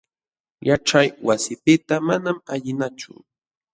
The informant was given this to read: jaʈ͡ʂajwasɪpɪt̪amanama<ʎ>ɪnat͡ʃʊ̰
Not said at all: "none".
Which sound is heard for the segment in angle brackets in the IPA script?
ʎ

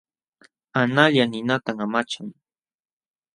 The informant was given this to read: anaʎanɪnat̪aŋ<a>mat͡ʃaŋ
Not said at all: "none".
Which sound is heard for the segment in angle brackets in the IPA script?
a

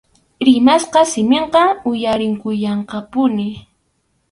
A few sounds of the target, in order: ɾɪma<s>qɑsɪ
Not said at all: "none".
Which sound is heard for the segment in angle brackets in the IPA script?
s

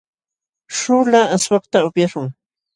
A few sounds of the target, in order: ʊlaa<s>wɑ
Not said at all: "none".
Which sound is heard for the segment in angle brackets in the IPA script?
s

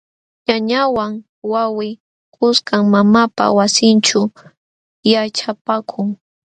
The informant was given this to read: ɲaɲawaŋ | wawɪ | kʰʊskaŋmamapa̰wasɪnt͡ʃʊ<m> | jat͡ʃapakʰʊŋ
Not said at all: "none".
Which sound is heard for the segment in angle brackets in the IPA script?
none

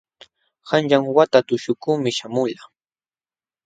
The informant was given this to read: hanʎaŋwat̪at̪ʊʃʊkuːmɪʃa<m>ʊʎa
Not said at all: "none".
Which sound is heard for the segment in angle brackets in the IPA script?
m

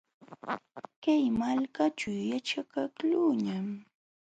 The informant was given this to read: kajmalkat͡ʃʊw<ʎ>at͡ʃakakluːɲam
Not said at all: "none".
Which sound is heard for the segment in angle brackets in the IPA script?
j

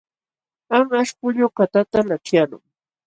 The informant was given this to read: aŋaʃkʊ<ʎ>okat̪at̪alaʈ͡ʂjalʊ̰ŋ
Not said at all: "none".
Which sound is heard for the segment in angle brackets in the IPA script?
ʎ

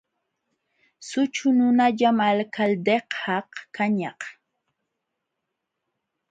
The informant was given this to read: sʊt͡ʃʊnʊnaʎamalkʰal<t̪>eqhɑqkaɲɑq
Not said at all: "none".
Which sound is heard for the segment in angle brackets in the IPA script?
d̪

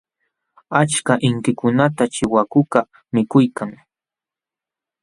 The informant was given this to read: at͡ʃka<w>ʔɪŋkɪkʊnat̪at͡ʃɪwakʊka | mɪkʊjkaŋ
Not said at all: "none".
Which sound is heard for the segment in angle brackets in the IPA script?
none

